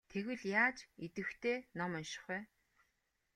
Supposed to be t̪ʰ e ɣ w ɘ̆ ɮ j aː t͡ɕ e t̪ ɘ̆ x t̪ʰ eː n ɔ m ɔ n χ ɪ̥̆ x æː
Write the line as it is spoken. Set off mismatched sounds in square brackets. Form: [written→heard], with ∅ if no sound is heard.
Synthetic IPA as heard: t̪ʰ e ɣ w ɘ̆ ɮ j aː t͡ɕ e t̪ ɘ̆ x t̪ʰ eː n ɔ m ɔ n [χ→ʃ] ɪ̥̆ [x→χ] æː